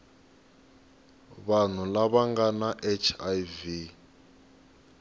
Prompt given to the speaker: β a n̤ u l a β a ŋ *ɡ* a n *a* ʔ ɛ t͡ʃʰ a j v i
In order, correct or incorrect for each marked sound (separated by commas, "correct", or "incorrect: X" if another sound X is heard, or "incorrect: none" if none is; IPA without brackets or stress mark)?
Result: correct, correct